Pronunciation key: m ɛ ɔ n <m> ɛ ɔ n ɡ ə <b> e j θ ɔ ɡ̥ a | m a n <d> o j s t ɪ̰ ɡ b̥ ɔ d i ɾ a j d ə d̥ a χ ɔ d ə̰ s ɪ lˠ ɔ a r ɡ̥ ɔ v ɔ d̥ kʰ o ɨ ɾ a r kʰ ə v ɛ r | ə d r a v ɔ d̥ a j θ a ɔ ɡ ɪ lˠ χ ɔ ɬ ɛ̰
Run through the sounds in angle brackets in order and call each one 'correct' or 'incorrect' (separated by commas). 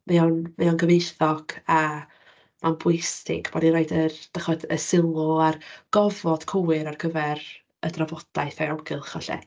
correct, incorrect, incorrect